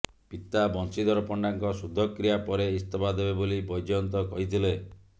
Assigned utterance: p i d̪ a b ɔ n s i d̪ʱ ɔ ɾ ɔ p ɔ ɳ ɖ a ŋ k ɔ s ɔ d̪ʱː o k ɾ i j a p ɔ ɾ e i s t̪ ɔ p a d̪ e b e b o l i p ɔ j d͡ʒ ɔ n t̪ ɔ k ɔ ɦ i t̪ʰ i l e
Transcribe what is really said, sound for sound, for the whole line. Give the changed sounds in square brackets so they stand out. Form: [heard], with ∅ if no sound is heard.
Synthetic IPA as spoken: p i [t̪] a b ɔ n s i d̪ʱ ɔ ɾ ɔ p ɔ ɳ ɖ a ŋ k ɔ s [u] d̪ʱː [ɔ] k ɾ i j a p ɔ ɾ e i s t̪ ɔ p a d̪ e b e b o l i [b] ɔ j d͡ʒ ɔ n t̪ ɔ k ɔ ɦ i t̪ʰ i l e

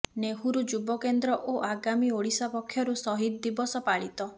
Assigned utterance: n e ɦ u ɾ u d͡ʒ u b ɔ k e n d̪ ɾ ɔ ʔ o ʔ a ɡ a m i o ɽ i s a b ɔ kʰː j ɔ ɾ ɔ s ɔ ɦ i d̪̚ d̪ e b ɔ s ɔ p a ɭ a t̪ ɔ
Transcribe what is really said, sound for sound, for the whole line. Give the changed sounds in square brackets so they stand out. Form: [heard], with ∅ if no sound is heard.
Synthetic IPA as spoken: n e ɦ u ɾ u d͡ʒ u b ɔ k e n d̪ ɾ ɔ ʔ o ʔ a ɡ a m i o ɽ i s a [p] ɔ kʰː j ɔ ɾ [u] s ɔ ɦ i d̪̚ d̪ [i] b ɔ s ɔ p a ɭ [i] t̪ ɔ

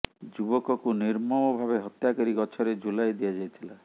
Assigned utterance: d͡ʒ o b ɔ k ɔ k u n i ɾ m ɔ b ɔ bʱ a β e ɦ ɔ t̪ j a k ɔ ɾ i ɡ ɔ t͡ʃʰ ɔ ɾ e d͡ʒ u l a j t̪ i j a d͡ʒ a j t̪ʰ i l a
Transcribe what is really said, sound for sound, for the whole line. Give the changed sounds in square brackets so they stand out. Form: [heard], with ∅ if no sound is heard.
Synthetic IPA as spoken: d͡ʒ [u] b ɔ k ɔ k u n i ɾ m ɔ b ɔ bʱ a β e ɦ ɔ t̪ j a k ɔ ɾ i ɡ ɔ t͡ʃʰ ɔ ɾ e d͡ʒ u l a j [d̪] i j a d͡ʒ a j t̪ʰ i l a

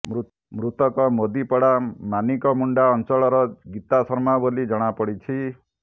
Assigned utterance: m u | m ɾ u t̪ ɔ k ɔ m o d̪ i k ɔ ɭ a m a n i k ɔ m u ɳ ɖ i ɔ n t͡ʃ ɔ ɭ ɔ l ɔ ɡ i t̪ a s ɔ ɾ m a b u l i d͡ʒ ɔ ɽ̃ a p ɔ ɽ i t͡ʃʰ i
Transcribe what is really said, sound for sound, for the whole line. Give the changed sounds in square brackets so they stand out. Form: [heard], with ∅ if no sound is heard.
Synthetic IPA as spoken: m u | m ɾ u t̪ ɔ k ɔ m o d̪ i [p] ɔ [ɽ] a m a n i k ɔ m u ɳ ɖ [a] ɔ n t͡ʃ ɔ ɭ ɔ [ɾ] ɔ ɡ i t̪ a s ɔ ɾ m a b [o] l i d͡ʒ ɔ ɽ̃ a p ɔ ɽ i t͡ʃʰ i

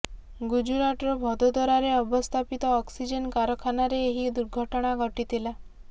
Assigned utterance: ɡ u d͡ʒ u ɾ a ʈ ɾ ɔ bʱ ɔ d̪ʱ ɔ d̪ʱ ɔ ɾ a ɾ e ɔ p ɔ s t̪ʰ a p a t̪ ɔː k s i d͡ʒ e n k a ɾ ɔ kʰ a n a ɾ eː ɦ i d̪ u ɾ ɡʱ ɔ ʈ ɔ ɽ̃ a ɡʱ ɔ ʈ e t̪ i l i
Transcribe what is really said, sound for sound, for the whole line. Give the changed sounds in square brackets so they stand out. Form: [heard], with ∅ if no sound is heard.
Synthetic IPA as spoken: ɡ u d͡ʒ u ɾ a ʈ ɾ ɔ bʱ ɔ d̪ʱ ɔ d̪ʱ ɔ ɾ a ɾ e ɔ [b] ɔ s t̪ʰ a p [i] t̪ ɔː k s i d͡ʒ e n k a ɾ ɔ kʰ a n a ɾ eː ɦ i d̪ u ɾ ɡʱ ɔ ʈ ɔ ɽ̃ a ɡʱ ɔ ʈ [i] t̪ i l [a]

